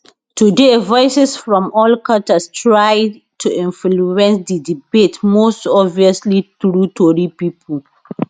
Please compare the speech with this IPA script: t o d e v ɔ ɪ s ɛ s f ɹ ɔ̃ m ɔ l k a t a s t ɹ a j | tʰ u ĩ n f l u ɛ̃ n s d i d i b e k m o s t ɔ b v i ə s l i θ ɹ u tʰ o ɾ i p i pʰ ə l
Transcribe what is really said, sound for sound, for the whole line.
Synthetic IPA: t u d e v ɔ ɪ s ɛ s f ɹ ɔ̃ m ɔ l k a t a s t ɹ a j | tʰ u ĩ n f l u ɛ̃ n s d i d i b e t m o s t ɔ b v i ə s l i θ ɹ u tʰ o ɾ i p i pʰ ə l